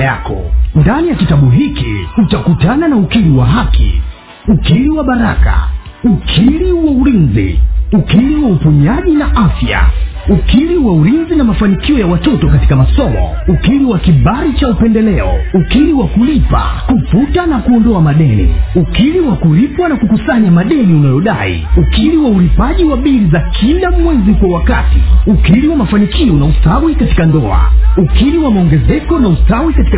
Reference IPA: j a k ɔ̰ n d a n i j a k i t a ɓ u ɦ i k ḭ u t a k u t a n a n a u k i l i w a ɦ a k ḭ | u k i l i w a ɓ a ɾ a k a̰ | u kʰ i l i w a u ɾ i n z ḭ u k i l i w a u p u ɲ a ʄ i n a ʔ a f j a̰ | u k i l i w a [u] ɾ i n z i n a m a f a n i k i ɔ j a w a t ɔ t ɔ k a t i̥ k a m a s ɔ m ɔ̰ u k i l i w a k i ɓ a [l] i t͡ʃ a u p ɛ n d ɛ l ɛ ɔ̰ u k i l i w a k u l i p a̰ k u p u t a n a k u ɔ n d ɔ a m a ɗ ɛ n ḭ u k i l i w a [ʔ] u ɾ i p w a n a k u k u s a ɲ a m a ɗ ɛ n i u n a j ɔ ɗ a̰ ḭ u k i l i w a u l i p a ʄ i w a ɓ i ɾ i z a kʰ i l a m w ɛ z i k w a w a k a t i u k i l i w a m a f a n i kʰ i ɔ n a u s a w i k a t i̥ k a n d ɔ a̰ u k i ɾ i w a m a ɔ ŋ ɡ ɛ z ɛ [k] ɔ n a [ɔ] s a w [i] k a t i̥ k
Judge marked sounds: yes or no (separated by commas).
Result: yes, no, no, yes, no, yes